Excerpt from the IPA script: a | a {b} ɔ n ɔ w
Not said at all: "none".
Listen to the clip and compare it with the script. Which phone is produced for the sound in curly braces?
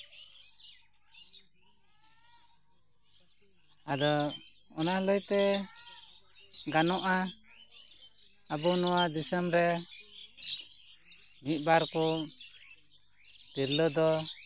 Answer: b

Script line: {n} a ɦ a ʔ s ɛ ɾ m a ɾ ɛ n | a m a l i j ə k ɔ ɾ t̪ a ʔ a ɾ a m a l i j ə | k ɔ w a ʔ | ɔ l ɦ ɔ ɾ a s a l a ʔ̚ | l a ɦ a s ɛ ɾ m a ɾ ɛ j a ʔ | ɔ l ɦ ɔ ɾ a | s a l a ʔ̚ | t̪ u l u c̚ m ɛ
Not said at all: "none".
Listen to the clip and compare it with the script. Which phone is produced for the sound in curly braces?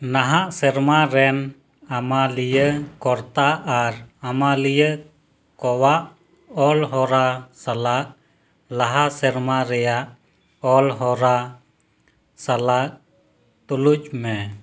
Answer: n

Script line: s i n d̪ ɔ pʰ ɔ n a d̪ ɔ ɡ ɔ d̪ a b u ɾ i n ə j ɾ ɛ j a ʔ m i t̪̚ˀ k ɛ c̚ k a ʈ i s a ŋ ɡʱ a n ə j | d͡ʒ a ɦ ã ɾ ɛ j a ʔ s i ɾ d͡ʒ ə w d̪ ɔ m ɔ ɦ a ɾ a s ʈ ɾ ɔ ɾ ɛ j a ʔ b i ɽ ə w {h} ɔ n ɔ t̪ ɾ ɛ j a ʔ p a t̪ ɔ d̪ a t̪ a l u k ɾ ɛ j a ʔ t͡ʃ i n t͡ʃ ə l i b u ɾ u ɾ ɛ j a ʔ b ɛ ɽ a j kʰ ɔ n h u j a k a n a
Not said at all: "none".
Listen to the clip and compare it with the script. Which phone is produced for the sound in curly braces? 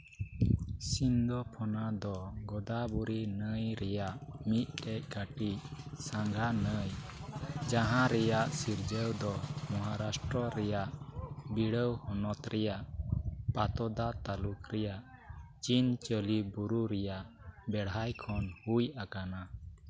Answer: h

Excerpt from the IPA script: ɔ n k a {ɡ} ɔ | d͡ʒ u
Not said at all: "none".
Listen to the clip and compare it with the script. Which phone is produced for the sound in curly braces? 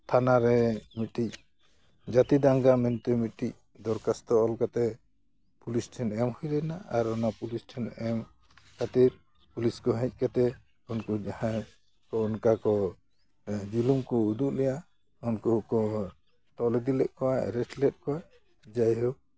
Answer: k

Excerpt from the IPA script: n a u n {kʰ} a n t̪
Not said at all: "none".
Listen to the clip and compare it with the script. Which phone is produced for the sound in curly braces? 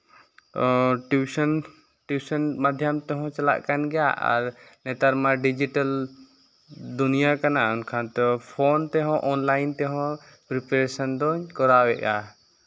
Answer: kʰ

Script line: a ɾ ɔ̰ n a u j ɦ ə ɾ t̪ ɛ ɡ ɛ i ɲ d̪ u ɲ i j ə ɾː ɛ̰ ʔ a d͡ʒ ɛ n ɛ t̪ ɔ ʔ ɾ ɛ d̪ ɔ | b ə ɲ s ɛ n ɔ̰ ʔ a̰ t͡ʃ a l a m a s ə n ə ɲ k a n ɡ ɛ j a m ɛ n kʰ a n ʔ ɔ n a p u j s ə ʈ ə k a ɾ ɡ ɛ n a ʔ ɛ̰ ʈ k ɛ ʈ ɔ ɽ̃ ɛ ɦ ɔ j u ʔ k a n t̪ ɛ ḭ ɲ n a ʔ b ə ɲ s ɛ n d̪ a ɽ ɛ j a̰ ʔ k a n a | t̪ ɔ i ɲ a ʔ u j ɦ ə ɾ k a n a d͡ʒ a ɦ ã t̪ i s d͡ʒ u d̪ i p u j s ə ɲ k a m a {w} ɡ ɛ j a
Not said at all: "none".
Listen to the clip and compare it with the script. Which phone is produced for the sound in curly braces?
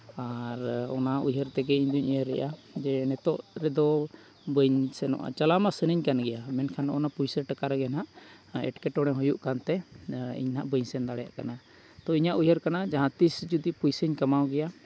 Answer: w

